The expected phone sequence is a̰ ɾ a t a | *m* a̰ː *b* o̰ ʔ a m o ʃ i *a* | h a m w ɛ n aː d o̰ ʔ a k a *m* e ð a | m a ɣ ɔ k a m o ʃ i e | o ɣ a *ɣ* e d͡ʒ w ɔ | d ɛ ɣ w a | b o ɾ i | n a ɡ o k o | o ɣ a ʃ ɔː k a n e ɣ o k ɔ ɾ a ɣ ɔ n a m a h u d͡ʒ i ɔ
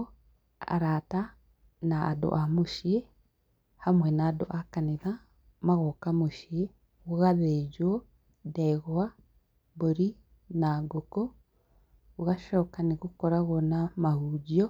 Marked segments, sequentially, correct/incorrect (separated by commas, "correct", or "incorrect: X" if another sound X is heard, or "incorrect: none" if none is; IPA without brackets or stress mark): incorrect: n, incorrect: d, incorrect: e, incorrect: n, incorrect: ð